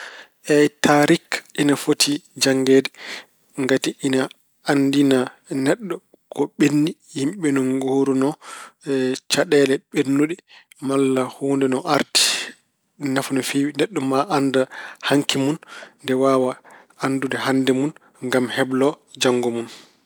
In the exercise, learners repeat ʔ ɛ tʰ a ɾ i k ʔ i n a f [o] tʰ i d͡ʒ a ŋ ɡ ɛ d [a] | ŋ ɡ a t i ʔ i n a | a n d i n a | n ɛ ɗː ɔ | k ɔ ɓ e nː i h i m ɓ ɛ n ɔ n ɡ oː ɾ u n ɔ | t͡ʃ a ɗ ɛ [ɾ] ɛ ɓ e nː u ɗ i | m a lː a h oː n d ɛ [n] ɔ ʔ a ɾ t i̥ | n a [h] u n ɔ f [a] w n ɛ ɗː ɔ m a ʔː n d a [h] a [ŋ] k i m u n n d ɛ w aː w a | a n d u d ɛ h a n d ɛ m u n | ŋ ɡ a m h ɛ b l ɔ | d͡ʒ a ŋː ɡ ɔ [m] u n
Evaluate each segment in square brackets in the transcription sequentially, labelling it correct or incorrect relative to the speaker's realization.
correct, incorrect, incorrect, correct, incorrect, incorrect, correct, correct, correct

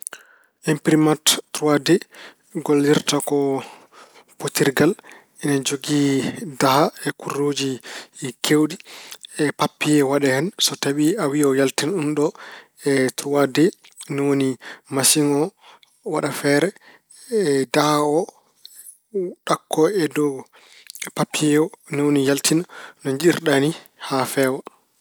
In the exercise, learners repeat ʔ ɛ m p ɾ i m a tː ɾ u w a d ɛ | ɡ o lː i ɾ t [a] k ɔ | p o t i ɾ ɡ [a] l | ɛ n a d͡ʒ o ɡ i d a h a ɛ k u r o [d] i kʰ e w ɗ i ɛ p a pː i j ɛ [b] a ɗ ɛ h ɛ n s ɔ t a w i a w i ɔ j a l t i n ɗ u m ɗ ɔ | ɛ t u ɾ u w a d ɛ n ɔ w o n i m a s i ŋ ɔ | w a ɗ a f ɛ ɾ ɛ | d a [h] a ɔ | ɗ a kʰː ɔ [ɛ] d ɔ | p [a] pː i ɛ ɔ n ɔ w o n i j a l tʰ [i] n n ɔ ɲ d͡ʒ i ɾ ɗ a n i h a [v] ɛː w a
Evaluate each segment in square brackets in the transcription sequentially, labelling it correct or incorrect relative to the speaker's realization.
correct, correct, incorrect, incorrect, correct, correct, correct, correct, incorrect

